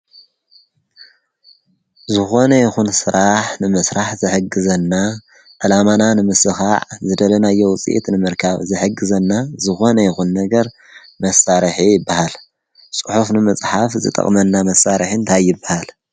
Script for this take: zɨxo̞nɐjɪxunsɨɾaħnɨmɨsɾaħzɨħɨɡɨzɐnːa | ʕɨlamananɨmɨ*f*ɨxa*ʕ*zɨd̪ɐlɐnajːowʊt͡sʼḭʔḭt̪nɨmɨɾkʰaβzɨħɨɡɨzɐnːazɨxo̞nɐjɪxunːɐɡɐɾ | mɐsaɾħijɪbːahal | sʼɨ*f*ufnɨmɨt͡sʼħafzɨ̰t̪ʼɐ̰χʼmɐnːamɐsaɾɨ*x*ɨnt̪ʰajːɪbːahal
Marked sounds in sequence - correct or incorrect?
incorrect: s, correct, incorrect: ħ, incorrect: ħ

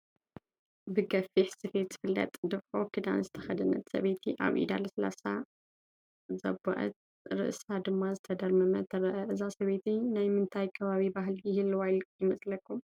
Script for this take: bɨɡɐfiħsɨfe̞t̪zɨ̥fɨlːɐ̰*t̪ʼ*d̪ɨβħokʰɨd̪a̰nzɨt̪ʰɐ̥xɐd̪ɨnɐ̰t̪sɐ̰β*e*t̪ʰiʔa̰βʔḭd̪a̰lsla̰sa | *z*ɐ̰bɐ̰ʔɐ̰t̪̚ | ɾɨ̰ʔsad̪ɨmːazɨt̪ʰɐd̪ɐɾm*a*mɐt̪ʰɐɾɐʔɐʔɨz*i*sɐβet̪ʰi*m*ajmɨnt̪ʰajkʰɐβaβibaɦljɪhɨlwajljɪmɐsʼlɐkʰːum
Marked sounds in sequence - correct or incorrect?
correct, correct, correct, incorrect: ɐ, incorrect: a, incorrect: n

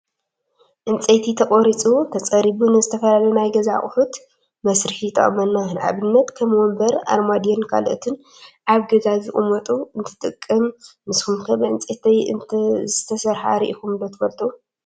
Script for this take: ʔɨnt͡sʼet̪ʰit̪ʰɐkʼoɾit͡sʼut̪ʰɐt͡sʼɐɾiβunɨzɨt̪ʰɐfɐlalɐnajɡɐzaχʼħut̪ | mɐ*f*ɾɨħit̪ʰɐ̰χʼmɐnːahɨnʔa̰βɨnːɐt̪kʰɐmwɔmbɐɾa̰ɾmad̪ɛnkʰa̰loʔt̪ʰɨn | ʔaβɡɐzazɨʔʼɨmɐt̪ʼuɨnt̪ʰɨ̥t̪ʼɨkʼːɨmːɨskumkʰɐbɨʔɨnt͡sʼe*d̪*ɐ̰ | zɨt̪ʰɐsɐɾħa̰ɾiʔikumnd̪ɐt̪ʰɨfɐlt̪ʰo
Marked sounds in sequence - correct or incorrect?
incorrect: s, incorrect: t̪

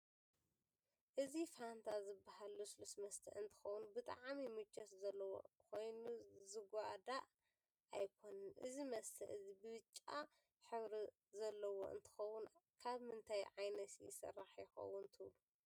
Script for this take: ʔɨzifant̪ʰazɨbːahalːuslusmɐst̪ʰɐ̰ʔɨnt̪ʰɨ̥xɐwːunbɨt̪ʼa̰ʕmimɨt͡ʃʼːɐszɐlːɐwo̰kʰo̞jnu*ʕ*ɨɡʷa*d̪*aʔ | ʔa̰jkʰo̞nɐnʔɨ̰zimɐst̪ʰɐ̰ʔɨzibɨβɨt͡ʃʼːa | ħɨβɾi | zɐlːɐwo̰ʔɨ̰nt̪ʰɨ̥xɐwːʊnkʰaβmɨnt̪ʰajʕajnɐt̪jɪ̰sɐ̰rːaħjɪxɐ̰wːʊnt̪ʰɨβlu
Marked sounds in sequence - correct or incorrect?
incorrect: z, correct

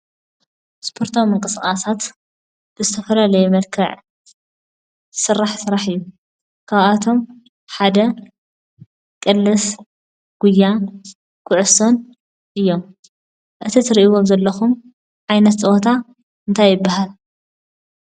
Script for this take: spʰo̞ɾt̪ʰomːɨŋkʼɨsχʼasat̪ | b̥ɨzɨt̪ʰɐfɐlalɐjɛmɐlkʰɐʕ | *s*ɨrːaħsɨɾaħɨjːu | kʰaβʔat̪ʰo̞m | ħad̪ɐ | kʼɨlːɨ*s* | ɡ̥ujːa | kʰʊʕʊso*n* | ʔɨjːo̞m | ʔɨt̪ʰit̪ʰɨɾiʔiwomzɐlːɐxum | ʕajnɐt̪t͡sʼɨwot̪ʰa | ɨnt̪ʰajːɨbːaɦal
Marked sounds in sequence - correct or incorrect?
correct, correct, correct

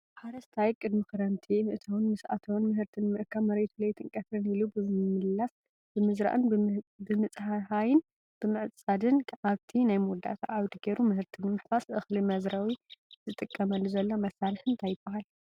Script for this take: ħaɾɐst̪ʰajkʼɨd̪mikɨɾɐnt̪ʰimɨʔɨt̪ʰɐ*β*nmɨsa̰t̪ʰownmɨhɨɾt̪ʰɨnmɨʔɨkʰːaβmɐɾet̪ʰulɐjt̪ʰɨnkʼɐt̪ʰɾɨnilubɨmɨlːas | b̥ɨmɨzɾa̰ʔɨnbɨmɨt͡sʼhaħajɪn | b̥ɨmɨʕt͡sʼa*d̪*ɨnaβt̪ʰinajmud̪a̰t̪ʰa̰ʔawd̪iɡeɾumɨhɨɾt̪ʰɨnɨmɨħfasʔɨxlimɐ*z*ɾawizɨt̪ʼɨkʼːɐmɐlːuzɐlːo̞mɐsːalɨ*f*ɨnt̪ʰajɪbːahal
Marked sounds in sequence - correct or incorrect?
incorrect: w, correct, correct, incorrect: ħ

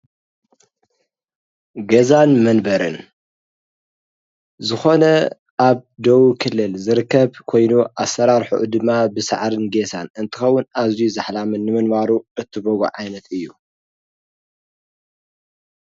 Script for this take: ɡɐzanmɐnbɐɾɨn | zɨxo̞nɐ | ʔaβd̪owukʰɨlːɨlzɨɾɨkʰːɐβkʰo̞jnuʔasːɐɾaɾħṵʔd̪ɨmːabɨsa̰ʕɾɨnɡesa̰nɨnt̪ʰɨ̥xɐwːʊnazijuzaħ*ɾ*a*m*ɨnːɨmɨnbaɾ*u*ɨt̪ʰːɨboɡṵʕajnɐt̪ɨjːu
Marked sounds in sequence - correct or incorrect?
incorrect: l, correct, correct

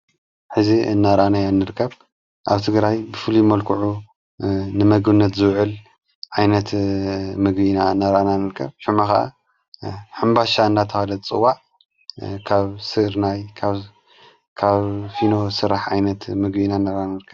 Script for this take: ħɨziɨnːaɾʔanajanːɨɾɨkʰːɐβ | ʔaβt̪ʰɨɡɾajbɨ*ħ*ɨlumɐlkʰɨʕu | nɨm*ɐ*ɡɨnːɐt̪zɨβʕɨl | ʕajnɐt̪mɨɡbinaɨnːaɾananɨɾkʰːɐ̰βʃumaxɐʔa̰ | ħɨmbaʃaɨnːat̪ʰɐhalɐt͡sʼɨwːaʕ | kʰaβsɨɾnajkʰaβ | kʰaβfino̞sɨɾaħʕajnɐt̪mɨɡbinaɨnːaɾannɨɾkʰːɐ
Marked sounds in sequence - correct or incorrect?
incorrect: f, correct

